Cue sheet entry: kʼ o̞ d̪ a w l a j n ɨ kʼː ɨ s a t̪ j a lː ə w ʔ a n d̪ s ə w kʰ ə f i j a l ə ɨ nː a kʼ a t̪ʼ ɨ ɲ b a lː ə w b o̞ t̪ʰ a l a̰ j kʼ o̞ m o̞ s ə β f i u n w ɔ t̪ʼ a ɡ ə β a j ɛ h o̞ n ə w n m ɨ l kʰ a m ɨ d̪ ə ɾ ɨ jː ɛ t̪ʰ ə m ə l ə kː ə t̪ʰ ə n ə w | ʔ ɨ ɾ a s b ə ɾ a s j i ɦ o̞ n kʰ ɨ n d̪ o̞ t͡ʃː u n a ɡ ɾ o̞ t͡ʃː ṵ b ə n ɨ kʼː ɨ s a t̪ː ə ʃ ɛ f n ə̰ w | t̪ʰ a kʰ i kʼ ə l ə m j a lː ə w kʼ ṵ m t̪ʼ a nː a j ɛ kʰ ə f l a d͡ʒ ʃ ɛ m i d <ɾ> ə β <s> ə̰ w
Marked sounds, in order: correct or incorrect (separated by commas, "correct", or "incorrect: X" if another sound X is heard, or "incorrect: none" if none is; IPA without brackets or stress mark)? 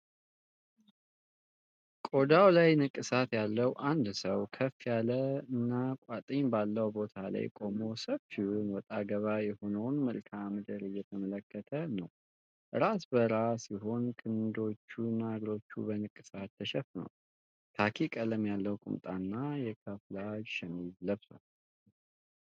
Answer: incorrect: l, correct